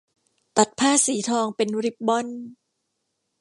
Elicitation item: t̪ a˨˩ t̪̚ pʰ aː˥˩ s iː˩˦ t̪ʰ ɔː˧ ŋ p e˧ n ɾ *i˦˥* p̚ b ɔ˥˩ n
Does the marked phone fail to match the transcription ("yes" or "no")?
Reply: no